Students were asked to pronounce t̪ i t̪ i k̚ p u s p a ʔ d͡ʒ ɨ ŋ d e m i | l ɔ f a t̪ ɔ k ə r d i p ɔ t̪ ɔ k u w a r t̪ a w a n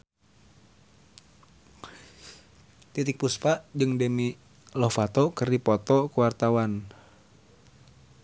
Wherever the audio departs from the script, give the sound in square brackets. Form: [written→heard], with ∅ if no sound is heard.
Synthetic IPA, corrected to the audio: t̪ i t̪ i k̚ p u s p a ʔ d͡ʒ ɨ ŋ d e m i | l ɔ f a t̪ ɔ k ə r d i p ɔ t̪ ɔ k u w a r t̪ a w a n